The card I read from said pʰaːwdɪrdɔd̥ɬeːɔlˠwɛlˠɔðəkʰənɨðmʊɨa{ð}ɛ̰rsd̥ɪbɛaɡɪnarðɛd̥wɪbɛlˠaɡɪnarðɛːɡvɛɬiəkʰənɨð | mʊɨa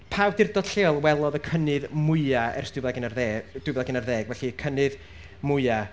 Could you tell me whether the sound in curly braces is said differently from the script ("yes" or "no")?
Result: yes